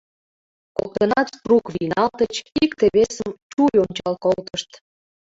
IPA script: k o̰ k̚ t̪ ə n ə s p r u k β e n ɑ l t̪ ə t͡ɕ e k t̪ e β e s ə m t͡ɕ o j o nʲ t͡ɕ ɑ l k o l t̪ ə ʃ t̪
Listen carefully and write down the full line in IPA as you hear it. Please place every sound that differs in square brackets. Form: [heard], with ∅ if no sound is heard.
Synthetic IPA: k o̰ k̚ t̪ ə n [ɑ] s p r u k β [i] n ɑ l t̪ ə t͡ɕ [i] k t̪ e β e s ə m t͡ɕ [u] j o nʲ t͡ɕ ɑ l k o l t̪ ə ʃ t̪